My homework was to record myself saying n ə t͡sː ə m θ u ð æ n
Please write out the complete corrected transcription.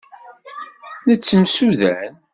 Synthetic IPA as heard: n ə t͡sː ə m s u ð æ n